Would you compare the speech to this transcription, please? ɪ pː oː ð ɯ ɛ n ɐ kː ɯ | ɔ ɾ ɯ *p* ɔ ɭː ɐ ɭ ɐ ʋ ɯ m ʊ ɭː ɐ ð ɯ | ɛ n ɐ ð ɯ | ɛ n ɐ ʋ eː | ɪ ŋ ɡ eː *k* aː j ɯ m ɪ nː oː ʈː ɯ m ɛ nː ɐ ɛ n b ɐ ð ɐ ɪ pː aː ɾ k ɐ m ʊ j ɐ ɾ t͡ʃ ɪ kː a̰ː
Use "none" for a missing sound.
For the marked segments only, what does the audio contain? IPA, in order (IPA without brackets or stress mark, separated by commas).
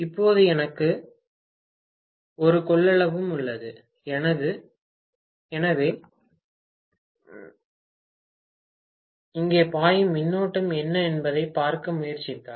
k, p